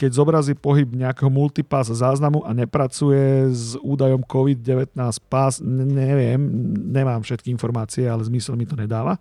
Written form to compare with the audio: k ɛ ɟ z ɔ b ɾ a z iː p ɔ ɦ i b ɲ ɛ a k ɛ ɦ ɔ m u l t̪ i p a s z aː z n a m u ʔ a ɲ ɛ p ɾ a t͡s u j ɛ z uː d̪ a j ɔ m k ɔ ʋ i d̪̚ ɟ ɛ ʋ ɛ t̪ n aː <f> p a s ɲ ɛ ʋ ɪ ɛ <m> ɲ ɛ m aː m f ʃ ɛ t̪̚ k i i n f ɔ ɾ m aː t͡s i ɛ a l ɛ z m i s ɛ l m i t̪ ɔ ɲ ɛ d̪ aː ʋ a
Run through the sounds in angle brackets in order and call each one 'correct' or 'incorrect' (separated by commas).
incorrect, correct